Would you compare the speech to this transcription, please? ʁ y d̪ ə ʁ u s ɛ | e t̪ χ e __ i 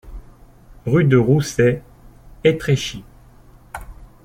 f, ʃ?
ʃ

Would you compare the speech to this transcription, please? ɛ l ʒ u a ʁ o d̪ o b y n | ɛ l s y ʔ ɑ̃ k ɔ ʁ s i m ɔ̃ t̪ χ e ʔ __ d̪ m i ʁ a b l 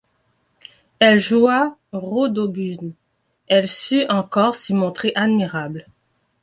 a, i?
a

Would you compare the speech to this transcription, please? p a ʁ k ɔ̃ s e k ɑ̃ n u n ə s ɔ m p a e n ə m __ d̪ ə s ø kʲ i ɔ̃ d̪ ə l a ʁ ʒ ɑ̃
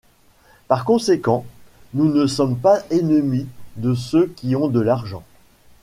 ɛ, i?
i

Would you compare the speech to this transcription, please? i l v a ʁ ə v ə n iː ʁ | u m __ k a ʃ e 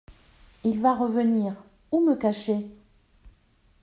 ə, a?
ə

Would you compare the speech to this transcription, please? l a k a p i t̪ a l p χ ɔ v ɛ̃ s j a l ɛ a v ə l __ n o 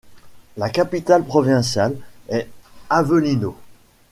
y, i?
i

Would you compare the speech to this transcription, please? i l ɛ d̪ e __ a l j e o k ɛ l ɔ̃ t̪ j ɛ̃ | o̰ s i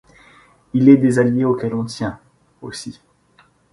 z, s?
z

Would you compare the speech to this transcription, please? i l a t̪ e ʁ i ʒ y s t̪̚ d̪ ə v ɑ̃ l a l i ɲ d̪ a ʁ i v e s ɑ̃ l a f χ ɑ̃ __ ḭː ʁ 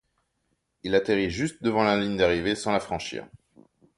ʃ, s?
ʃ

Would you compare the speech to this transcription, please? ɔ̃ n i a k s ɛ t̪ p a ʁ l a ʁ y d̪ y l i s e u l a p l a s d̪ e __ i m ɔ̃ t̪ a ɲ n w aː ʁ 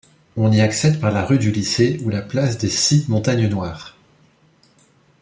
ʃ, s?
s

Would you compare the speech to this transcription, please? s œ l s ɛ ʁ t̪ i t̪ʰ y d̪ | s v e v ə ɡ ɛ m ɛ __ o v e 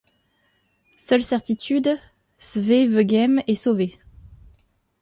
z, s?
s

